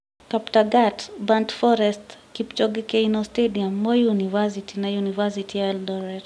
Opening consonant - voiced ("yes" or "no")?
no